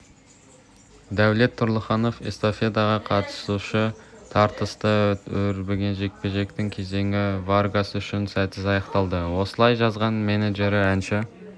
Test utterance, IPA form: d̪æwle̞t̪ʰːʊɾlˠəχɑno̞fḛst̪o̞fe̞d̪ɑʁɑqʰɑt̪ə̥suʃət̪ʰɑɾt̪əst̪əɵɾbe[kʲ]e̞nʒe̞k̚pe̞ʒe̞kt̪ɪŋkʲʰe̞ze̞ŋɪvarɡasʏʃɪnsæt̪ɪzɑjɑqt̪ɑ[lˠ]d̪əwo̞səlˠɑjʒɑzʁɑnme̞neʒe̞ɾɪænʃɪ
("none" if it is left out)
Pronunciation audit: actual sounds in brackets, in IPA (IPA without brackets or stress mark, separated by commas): ɡʲ, lˠ